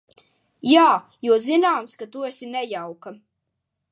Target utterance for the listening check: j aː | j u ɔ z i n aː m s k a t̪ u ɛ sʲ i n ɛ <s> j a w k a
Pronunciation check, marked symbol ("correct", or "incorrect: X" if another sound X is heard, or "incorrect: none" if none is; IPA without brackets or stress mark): incorrect: none